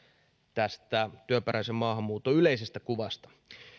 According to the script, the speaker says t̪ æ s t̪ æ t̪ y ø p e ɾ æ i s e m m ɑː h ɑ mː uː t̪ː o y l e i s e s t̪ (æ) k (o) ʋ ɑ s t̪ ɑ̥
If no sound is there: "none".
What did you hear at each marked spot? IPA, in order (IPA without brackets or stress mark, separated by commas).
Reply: æ, u